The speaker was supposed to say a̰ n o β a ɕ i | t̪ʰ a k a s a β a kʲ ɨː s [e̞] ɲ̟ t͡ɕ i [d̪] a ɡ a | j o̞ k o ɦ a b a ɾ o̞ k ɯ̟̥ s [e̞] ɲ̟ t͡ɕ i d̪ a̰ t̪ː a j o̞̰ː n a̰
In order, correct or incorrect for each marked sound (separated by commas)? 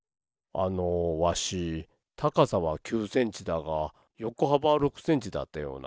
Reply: incorrect, correct, incorrect